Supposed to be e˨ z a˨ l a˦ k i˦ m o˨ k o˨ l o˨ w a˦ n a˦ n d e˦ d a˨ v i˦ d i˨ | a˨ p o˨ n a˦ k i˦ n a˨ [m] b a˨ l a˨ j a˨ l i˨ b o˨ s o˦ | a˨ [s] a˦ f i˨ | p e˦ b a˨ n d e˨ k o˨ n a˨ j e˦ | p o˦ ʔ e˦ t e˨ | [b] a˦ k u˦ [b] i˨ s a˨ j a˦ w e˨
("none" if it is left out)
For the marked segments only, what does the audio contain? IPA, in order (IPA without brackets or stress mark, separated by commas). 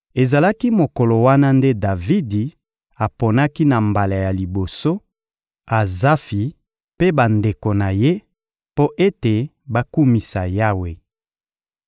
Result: m, z, b, m